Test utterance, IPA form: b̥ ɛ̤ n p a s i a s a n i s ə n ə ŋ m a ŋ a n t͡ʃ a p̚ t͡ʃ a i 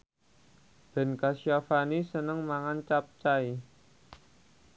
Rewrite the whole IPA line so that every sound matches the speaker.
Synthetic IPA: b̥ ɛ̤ n k a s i a f a n i s ə n ə ŋ m a ŋ a n t͡ʃ a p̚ t͡ʃ a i

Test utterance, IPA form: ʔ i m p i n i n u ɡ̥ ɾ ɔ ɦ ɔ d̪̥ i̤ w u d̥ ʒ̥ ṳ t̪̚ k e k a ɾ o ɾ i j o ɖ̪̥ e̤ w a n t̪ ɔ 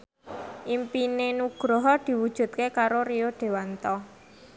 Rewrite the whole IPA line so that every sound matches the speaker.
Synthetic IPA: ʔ i m p i n e n u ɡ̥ ɾ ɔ ɦ ɔ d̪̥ i̤ w u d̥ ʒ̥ ṳ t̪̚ k e k a ɾ o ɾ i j o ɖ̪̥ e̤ w a n t̪ ɔ

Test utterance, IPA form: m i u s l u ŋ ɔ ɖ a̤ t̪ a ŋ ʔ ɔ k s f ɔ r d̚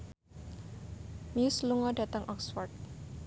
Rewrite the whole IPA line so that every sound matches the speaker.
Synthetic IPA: m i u s l u ŋ ɔ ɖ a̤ t̪ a ŋ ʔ ɔ k s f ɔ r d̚

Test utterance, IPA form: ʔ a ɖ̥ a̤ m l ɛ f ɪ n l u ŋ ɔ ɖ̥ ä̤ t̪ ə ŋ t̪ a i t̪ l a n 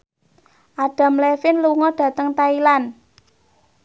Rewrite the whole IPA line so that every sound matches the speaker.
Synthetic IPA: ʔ a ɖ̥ a̤ m l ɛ f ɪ n l u ŋ ɔ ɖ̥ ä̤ t̪ ə ŋ t̪ a i l a n

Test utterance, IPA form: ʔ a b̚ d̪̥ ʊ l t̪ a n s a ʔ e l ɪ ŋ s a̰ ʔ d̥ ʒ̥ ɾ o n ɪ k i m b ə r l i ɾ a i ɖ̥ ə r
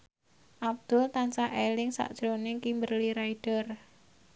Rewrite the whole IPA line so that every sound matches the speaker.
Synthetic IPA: ʔ a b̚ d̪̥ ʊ l t̪ a n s a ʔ e l ɪ ŋ s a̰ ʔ d̥ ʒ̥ ɾ o n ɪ k i m b ə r l i ɾ a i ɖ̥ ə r

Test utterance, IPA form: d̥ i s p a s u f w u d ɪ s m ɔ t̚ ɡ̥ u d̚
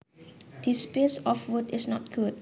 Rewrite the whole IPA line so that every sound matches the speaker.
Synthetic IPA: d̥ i s p e s ɔ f w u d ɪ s n ɔ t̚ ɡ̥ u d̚

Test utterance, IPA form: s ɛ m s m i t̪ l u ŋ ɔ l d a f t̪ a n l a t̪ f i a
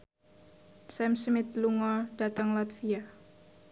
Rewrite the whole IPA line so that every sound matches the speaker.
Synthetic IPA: s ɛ m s m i t̪ l u ŋ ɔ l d a t̪ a ŋ l a t̪ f i a

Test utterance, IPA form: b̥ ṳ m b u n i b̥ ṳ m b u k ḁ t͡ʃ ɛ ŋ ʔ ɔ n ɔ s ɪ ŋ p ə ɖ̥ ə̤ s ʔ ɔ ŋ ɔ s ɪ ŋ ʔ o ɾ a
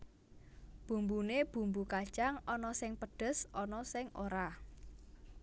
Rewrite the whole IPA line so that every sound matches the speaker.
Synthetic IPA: b̥ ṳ m b u n e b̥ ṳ m b u k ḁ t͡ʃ a ŋ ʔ ɔ n ɔ s ɪ ŋ p ə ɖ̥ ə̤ s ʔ ɔ n ɔ s ɪ ŋ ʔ o ɾ a

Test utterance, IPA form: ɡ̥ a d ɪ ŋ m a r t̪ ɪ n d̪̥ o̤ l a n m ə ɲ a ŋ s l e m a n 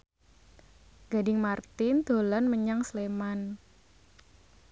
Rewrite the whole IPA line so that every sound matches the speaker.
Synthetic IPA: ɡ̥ a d ɪ ŋ m a r t̪ ɪ n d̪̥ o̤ l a n m ə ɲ a ŋ s l e m a n

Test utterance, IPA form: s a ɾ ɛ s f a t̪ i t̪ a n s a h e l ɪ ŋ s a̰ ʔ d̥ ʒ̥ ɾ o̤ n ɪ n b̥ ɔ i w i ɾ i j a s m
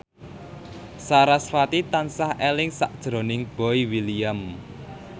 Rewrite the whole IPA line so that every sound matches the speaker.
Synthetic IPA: s a ɾ a s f a t̪ i t̪ a n s a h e l ɪ ŋ s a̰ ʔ d̥ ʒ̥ ɾ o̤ n ɪ ŋ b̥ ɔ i w i l i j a m

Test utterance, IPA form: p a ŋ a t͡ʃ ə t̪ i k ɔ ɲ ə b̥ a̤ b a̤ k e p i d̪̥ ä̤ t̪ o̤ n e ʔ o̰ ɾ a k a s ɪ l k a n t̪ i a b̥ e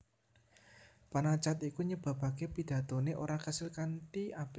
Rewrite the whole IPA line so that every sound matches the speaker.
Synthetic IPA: p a n a t͡ʃ a t̪ i k u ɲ ə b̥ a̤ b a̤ k e p i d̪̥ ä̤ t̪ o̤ n e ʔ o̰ ɾ a k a s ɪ l k a n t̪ i a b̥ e

